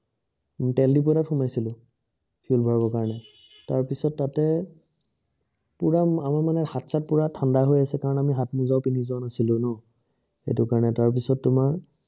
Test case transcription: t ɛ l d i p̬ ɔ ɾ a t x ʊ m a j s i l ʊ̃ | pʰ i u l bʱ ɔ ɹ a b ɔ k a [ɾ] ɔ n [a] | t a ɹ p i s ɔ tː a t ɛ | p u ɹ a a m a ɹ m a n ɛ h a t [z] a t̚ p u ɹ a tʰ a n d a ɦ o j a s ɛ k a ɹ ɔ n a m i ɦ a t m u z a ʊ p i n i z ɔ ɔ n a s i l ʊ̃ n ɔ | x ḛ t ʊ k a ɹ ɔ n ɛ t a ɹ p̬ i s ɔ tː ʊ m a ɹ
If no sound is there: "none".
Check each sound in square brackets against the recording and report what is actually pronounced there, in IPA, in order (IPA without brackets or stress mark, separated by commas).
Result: ɹ, ɛ, s